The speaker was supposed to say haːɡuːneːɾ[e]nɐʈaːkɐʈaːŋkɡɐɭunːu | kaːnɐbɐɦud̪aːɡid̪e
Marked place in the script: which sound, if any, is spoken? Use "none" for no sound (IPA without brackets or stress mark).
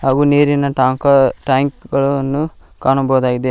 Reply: i